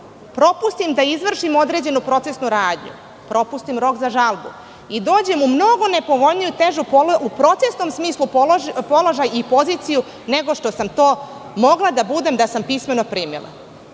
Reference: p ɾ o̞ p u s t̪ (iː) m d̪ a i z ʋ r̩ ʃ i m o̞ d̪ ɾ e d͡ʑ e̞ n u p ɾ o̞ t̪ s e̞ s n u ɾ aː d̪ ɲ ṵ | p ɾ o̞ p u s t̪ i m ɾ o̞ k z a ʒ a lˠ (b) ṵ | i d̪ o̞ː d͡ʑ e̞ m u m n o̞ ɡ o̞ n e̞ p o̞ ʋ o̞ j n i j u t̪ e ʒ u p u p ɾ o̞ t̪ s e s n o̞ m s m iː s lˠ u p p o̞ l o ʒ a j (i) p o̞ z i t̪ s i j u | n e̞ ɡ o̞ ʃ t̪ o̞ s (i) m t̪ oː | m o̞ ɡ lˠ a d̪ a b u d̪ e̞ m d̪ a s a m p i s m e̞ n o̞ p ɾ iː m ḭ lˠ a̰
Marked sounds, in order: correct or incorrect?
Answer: incorrect: i, correct, correct, incorrect: a

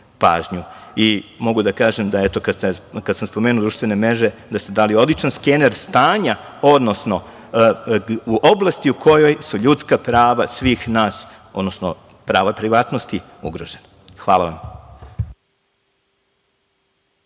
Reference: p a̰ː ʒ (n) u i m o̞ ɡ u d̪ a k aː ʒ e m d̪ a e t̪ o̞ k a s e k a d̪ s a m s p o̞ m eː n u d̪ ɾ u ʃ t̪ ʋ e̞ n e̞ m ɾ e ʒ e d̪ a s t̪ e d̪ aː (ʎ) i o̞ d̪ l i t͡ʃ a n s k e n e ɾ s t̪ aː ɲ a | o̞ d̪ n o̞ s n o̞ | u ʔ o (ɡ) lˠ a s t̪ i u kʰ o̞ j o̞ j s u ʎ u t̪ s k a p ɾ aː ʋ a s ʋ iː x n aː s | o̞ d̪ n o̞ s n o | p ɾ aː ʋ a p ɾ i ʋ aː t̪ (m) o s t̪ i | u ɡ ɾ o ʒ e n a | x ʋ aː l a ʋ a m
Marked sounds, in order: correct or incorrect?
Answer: incorrect: ɲ, incorrect: l, incorrect: b, incorrect: n

